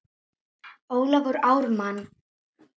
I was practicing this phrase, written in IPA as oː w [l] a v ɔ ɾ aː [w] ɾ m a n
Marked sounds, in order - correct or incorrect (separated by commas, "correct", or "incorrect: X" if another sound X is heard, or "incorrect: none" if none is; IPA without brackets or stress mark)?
correct, correct